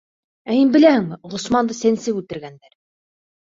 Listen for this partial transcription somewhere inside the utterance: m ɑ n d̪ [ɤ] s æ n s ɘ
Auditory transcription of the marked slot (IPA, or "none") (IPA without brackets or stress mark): ɤ